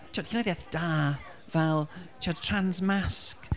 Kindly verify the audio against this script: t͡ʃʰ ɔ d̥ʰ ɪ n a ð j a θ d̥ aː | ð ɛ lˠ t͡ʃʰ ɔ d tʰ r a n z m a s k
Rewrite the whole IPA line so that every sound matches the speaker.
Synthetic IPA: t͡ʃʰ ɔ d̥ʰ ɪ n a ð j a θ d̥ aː | v ɛ lˠ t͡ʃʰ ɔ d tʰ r a n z m a s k

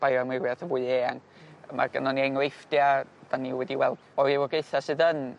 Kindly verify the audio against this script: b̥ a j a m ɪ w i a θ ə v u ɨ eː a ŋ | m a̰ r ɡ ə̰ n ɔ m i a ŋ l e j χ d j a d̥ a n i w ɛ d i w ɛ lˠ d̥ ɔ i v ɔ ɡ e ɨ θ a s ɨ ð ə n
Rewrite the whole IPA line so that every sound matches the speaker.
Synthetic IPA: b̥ a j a m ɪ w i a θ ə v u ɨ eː a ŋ | m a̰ r ɡ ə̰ n ɔ n i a ŋ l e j f d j a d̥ a n i w ɛ d i w ɛ lˠ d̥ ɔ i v ɔ ɡ e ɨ θ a s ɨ ð ə n

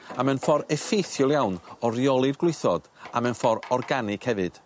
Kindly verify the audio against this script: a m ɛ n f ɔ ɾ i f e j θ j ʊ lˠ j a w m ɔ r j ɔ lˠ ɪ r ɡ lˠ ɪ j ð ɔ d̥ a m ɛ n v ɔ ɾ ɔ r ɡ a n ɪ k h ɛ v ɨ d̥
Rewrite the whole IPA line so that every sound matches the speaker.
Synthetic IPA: a m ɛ n f ɔ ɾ ɛ f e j θ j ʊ lˠ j a w n ɔ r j ɔ lˠ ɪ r ɡ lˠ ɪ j θ ɔ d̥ a m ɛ n f ɔ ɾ ɔ r ɡ a n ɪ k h ɛ v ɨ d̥

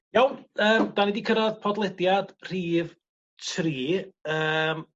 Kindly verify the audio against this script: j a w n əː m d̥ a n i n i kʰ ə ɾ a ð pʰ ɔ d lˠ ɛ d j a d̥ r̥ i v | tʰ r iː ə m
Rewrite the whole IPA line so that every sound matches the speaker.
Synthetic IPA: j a w n əː m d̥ a n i d i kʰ ə ɾ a ð pʰ ɔ d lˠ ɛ d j a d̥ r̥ iː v | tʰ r iː ə m

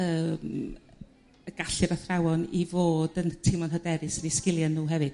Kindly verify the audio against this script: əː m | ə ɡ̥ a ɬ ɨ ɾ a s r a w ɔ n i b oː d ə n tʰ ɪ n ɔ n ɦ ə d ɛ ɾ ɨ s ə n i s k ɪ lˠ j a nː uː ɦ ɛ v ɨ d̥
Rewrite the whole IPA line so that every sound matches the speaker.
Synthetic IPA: əː m | ə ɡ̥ a ɬ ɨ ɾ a θ r a w ɔ n i v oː d ə n tʰ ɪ m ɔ n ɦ ə d ɛ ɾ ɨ s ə n i s k ɪ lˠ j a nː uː ɦ ɛ v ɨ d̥

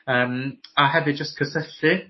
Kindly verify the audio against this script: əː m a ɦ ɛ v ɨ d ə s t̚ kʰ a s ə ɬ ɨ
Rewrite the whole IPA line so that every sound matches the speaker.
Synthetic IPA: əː m a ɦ ɛ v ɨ d͡ʒ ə s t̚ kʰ ə s ə ɬ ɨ

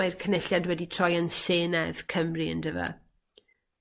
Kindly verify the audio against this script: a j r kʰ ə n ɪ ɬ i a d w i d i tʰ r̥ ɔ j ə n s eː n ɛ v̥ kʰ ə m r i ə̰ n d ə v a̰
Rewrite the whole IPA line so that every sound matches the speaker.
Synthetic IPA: a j r kʰ ə n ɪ ɬ j a d w ɛ d i tʰ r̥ ɔ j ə n s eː n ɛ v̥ kʰ ə m r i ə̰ n d ə v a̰

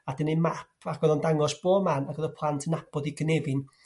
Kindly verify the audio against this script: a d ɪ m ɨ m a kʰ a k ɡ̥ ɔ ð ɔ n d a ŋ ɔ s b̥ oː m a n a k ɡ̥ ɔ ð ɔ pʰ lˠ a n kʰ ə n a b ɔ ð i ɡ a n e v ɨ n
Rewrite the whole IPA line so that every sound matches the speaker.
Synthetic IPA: a d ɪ n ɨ m a pʰ a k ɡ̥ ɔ ð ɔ n d a ŋ ɔ s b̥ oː m a n a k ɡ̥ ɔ ð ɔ pʰ lˠ a n tʰ ə n a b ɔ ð i ɡ ə n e v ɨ n

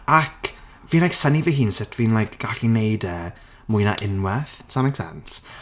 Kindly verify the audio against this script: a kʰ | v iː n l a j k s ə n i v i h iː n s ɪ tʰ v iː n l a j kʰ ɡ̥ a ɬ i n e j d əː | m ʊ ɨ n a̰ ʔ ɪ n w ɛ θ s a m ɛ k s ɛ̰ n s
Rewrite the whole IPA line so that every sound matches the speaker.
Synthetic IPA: a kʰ | v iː n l a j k s ə n i v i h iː n s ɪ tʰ v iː n l a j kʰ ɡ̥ a ɬ i n e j d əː | m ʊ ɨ n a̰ ʔ ɪ n w ɛ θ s a m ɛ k s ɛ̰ n s

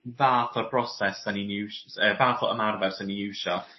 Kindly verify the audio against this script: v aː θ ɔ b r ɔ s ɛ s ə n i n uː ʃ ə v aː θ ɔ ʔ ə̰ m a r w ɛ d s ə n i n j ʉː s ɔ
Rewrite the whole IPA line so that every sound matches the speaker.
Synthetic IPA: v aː θ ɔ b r ɔ s ɛ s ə n i n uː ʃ ə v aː θ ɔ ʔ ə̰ m a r v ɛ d s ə n i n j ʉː ʃ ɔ

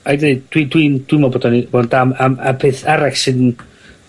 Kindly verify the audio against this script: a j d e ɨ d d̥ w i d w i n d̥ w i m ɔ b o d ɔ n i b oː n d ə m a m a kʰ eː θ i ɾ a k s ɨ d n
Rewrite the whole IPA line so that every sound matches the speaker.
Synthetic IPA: a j d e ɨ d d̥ w i d w i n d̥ w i m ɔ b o d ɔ n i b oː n d a m a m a pʰ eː θ a ɾ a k s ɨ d n

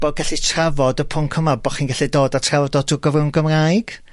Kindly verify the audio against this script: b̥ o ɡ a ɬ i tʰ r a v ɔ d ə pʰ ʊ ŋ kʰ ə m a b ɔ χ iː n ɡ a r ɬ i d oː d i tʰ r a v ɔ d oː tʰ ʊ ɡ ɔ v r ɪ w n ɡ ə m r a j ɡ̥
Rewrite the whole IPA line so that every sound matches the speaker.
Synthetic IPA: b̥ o ɡ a ɬ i tʰ r a v ɔ d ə pʰ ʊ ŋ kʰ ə m a b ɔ χ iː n ɡ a ɬ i d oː d a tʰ r a v ɔ d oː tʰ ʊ ɡ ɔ v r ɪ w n ɡ ə m r a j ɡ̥

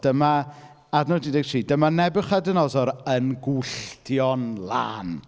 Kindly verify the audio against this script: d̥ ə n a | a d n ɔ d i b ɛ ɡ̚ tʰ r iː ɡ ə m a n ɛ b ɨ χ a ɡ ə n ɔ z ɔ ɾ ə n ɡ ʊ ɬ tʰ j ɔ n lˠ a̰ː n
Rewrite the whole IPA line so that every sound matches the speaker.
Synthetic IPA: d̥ ə m a | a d n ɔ d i d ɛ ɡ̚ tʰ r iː d ə m a n ɛ b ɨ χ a d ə n ɔ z ɔ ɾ ə n ɡ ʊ ɬ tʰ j ɔ n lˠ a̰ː n

